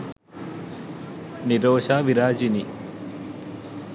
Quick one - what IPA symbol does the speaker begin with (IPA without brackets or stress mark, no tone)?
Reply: n